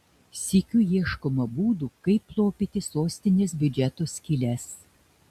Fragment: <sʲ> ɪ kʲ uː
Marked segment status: correct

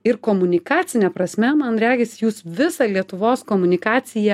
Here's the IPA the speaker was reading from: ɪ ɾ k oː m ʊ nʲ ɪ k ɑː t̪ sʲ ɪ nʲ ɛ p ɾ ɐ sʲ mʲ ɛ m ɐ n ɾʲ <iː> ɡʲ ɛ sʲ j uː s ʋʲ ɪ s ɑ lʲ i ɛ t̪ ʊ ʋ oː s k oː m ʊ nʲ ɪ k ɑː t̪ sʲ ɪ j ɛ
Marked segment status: incorrect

